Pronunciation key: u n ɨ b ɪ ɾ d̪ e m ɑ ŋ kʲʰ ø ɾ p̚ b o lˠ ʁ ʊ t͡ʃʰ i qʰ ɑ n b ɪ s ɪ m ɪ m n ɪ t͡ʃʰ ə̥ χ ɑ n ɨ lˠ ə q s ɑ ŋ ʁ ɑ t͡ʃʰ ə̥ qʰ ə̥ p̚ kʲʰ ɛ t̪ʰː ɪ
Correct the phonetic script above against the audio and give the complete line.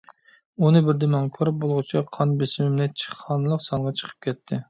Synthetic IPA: u n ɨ b ɪ ɾ d̪ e m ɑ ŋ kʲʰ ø ɾ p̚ b o lˠ ʁ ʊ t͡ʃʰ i qʰ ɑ n b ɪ s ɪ m ɪ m n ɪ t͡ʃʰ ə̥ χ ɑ n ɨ lˠ ə q s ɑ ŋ ʁ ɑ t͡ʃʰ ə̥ qʰ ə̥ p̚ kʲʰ ɛ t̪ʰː ɪ